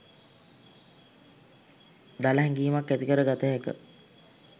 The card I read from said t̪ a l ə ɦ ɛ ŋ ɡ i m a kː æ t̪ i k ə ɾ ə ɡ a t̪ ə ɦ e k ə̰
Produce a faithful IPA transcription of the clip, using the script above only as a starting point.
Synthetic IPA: d̪ a l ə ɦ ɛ ŋ ɡ iː m a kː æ t̪ i k ə ɾ ə ɡ a t̪ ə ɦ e k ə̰